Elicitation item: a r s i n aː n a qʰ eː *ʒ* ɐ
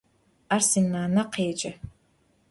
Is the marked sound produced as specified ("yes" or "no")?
no